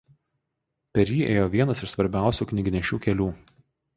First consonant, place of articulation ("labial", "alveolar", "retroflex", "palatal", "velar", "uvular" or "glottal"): labial